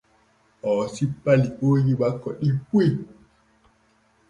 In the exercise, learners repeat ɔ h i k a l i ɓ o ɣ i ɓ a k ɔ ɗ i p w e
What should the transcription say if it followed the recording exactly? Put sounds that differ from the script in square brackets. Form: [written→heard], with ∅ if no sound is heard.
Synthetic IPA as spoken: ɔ [h→s] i [k→p] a l i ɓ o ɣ i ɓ a k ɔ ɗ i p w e

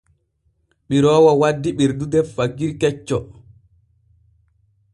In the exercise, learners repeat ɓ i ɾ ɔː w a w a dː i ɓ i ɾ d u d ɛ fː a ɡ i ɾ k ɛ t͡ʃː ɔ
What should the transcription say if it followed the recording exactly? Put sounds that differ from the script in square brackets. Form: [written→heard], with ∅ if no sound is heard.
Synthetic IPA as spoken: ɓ i ɾ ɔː w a w a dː i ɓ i ɾ d u d ɛ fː a ɡ i ɾ k ɛ t͡ʃː ɔ

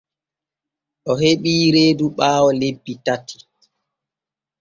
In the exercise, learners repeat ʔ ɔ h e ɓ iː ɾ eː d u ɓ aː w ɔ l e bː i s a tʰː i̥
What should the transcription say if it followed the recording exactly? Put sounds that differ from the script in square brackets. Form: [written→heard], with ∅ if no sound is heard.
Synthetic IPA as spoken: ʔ ɔ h e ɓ iː ɾ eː d u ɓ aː w ɔ l e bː i [s→t] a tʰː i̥

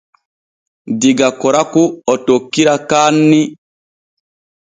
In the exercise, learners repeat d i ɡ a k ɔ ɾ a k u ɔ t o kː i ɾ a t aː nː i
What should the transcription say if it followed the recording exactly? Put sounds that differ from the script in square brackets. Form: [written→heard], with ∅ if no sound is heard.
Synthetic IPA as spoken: d i ɡ a k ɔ ɾ a k u ɔ t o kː i ɾ a [t→k] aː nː i

